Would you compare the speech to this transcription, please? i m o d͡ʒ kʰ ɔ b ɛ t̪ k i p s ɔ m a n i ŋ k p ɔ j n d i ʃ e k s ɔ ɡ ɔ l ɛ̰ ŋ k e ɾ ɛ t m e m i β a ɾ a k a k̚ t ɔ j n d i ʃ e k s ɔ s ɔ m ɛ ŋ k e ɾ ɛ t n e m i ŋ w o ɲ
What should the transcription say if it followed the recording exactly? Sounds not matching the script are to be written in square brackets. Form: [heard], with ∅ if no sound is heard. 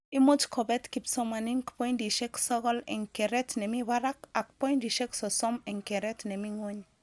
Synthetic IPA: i m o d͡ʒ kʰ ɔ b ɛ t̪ k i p s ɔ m a n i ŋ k p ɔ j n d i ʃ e k s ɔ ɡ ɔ l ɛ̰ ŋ k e ɾ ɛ t [n] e m i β a ɾ a k a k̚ [p] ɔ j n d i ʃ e k s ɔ s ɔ m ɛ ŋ k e ɾ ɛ t n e m i ŋ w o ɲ